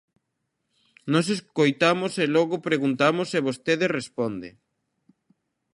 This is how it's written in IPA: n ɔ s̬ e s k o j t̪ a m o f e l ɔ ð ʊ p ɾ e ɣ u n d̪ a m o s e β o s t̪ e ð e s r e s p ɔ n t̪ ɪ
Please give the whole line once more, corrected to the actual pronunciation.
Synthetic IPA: n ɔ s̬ e s k o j t̪ a m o s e l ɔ ɣ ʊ p ɾ e ɣ u n t̪ a m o s e β o s t̪ e ð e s r e s p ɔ n d̪ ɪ